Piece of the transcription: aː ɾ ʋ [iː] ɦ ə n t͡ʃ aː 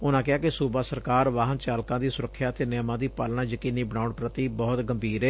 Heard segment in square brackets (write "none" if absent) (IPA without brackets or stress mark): aː